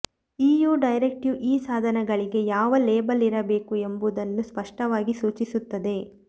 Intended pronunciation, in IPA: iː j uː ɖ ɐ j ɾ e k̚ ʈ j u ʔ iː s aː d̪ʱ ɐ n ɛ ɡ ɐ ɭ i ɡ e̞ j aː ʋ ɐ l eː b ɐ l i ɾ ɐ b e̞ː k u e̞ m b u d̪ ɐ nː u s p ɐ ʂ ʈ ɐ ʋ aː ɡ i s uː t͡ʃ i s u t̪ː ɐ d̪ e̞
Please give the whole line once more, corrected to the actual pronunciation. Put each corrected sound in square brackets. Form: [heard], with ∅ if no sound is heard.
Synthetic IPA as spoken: iː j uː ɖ ɐ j ɾ e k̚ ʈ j u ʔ iː s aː d̪ʱ ɐ n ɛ ɡ ɐ ɭ i ɡ e̞ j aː ʋ ɐ l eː b ɐ l i ɾ ɐ b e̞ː k u e̞ m b u d̪ ɐ nː u s p ɐ ʂ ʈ ɐ ʋ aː ɡ i s uː t͡ʃ i s u t̪ː ɐ d̪ e̞